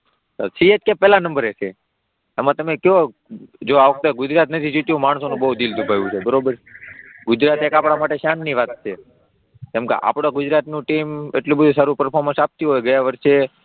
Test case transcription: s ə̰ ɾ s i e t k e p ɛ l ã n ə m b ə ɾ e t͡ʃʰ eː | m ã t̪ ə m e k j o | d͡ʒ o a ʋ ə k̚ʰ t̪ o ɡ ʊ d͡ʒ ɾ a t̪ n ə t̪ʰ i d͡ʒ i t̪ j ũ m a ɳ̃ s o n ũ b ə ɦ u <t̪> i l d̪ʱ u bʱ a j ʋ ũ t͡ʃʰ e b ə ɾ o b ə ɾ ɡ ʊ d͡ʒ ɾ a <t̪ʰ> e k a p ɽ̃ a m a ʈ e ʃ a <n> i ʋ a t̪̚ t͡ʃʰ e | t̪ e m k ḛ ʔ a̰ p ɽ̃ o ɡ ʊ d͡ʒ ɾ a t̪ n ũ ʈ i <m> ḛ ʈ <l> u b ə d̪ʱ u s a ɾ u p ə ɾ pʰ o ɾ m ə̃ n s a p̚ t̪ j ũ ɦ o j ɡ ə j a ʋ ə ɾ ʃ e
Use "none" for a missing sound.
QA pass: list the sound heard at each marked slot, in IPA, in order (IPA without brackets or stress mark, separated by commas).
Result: d̪, t̪, nː, m, l